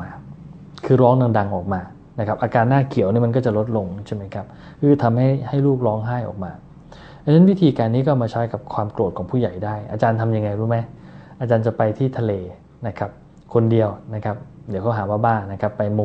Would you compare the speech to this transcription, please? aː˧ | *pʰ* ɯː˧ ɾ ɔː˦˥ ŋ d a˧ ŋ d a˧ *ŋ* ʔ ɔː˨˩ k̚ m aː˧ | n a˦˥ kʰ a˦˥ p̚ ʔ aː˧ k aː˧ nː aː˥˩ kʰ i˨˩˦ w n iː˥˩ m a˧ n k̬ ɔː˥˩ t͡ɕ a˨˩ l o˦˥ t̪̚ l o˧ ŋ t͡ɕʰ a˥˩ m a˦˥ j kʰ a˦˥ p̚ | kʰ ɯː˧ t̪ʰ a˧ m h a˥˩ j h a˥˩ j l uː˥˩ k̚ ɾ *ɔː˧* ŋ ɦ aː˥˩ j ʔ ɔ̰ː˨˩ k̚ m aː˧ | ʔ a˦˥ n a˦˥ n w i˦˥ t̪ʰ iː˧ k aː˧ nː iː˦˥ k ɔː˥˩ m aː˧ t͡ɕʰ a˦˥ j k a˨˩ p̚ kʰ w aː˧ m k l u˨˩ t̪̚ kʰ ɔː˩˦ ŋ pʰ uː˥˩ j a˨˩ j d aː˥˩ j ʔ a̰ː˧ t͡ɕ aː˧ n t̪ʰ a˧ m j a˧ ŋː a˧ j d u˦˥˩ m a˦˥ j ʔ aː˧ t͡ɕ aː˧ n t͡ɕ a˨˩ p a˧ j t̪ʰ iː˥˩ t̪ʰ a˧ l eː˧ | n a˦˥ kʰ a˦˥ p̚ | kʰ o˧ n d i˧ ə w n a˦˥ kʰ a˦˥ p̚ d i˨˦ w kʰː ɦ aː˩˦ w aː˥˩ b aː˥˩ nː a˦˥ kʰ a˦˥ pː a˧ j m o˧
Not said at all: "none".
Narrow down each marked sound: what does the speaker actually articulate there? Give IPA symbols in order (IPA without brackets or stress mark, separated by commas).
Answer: kʰ, ŋ, ɔː˦˥